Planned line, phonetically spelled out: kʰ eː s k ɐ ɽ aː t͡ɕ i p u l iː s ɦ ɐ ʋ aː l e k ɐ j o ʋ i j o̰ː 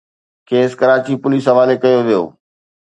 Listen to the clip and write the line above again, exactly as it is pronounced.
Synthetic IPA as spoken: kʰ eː s k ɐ ɾ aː t͡ɕ i p ʊ l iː s ɦ ɐ ʋ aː l e k ɐ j o ʋ i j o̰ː